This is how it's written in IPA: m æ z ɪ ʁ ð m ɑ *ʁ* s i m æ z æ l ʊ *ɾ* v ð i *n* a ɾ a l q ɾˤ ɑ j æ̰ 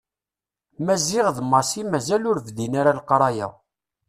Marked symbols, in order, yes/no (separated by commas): no, yes, yes